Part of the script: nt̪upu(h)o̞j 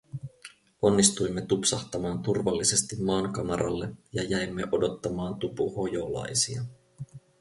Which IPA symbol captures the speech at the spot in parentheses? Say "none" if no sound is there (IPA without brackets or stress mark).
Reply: h